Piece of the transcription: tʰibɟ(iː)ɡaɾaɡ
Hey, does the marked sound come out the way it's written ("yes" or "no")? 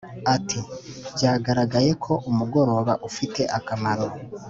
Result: no